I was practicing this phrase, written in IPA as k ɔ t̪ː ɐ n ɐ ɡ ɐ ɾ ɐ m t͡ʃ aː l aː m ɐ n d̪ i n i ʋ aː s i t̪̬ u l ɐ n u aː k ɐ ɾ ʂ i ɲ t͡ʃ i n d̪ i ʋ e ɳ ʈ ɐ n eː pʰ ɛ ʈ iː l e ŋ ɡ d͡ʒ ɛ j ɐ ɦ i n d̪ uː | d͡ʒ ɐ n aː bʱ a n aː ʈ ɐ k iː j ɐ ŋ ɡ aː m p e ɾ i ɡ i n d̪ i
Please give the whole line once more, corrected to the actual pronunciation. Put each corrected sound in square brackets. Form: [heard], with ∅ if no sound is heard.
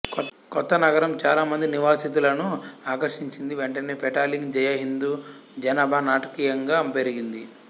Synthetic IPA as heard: k ɔ t̪ː ɐ n ɐ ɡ ɐ ɾ ɐ m t͡ʃ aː l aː m ɐ n d̪ i n i ʋ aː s i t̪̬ u l ɐ n u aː k ɐ ɾ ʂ i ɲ t͡ʃ i n d̪ i ʋ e ɳ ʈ ɐ n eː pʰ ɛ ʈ [aː] l [i] ŋ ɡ d͡ʒ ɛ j ɐ ɦ i n d̪ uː | d͡ʒ ɐ n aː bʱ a n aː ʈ ɐ k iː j ɐ ŋ ɡ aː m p e ɾ i ɡ i n d̪ i

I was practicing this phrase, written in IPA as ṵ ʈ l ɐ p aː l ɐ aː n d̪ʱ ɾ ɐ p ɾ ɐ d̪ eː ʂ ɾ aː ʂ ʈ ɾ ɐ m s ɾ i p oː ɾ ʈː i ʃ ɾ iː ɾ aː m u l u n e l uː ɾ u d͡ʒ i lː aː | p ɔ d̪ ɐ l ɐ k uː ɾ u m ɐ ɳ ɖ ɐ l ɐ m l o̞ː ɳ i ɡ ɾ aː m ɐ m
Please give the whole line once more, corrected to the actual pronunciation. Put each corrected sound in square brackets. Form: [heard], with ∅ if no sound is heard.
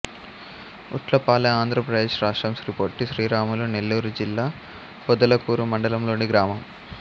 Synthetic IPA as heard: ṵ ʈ l ɐ p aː l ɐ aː n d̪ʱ ɾ ɐ p ɾ ɐ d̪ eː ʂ ɾ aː ʂ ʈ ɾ ɐ m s ɾ i p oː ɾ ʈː i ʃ ɾ iː ɾ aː m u l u n e [lː] uː ɾ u d͡ʒ i lː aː | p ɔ d̪ ɐ l ɐ k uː ɾ u m ɐ ɳ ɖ ɐ l ɐ m l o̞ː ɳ i ɡ ɾ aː m ɐ m

